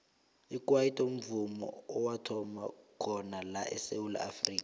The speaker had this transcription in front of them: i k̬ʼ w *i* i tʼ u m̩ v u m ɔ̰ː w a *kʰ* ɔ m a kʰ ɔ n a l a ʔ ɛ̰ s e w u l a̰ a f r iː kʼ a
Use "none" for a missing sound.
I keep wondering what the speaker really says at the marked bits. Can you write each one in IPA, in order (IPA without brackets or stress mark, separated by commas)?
a, tʰ